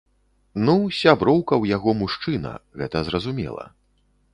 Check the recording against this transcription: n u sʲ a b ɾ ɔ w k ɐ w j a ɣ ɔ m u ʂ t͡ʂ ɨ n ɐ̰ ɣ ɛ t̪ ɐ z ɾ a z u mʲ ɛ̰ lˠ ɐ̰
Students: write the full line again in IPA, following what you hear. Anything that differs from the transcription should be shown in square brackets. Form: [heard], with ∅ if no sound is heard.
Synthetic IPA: n u sʲ a b ɾ ɔ w k ɐ w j a ɣ ɔ m u ʂ t͡ʂ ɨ n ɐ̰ ɣ ɛ t̪ ɐ z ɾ [ɐ] z u mʲ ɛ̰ lˠ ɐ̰